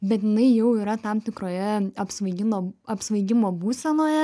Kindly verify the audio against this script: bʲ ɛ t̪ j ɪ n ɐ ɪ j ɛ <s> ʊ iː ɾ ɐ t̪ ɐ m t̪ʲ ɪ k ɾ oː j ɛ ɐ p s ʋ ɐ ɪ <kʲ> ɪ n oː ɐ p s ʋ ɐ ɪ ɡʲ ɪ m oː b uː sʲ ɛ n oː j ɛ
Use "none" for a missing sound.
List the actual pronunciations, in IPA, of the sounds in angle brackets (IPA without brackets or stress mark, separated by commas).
none, ɡʲ